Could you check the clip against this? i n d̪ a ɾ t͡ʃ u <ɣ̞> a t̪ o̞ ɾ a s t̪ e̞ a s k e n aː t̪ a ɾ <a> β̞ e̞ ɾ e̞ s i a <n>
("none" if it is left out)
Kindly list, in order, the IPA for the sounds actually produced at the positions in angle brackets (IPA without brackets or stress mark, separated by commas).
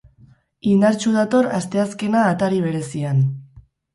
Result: ð̞, i, n